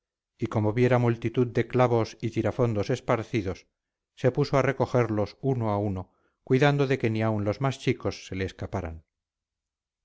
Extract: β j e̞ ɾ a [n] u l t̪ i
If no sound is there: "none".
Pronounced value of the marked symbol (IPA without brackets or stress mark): m